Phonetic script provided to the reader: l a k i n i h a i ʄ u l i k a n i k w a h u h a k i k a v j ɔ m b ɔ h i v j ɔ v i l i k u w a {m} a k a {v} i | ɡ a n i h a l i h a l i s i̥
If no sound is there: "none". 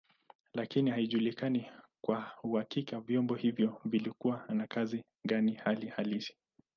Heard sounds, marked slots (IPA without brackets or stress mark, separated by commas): n, z